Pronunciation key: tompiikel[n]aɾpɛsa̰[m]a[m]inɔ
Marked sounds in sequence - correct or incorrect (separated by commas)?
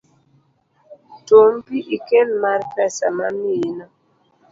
incorrect, correct, correct